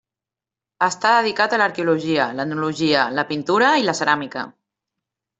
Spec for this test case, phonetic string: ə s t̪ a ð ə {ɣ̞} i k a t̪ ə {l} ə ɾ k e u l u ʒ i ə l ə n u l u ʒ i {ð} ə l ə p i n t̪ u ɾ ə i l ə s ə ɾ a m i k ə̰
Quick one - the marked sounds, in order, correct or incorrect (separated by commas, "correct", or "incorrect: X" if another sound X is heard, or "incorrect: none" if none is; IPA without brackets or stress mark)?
incorrect: ð̞, correct, incorrect: none